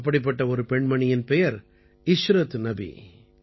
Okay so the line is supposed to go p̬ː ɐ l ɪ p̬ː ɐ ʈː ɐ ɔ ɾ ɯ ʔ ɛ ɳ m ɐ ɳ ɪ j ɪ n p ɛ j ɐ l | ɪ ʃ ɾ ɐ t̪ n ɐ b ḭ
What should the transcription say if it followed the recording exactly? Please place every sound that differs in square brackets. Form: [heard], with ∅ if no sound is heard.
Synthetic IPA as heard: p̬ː ɐ [ɽ] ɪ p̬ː ɐ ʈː ɐ ɔ ɾ ɯ [p] ɛ ɳ m ɐ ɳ ɪ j ɪ n p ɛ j ɐ [ɾ] | ɪ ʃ ɾ ɐ t̪ n ɐ b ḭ